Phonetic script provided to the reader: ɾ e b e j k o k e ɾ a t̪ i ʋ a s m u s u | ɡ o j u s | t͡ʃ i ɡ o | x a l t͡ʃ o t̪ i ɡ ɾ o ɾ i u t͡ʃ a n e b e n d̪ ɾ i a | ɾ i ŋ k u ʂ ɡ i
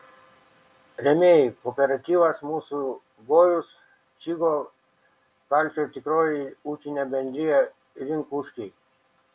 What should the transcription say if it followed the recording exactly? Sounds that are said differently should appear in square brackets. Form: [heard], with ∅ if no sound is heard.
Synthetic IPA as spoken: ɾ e [m] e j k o [p] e ɾ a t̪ i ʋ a s m u s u | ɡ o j u s | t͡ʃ i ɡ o | [k] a l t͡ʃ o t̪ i [k] ɾ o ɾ i u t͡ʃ [i] n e b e n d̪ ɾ i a | ɾ i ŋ k u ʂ [k] i